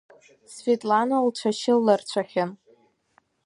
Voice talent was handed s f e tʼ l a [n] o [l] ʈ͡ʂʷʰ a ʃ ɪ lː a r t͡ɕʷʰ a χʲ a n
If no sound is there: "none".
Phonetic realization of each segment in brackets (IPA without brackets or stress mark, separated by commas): n, l